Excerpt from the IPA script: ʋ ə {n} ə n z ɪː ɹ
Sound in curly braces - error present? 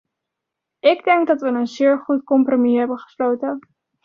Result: no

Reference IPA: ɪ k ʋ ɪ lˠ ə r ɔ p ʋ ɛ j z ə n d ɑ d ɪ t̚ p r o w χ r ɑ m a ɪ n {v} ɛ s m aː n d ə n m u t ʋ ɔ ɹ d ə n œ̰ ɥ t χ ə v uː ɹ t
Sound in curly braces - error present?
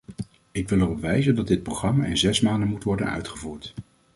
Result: yes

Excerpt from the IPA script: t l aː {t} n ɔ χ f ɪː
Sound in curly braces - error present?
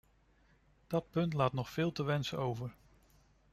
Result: no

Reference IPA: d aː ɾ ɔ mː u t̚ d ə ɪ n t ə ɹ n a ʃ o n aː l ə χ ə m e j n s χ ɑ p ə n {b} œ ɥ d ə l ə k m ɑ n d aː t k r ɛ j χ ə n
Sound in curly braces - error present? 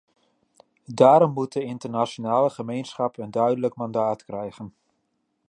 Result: yes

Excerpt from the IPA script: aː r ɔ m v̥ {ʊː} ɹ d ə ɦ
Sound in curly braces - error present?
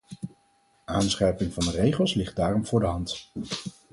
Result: no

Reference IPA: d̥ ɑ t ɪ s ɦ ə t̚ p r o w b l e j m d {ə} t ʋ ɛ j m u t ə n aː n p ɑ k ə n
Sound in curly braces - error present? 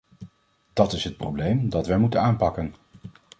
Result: yes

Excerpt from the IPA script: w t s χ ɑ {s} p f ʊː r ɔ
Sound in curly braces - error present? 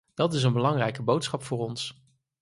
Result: yes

